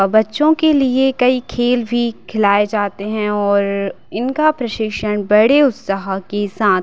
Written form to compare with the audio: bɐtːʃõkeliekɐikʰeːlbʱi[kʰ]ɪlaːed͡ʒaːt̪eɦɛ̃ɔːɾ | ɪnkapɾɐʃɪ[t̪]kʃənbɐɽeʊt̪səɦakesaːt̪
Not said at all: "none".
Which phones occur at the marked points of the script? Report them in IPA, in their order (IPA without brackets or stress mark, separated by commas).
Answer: kʰ, none